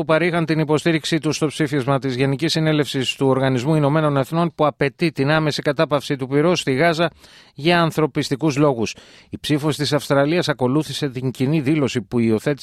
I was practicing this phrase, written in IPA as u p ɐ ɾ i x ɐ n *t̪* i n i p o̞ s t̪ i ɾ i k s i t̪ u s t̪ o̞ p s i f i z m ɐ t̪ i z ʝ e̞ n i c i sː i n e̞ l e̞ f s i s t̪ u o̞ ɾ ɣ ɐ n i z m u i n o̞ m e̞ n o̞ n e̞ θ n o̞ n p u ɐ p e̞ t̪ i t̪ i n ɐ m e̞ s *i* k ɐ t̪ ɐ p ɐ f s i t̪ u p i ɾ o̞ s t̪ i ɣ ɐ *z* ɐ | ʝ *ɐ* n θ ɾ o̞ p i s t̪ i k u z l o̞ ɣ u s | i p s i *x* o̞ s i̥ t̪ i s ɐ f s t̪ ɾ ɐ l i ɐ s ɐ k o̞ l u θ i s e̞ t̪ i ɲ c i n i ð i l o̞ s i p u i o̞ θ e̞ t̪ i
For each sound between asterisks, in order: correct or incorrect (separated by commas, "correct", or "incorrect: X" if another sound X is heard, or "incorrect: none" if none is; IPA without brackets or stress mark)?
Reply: correct, correct, correct, incorrect: ɐː, incorrect: f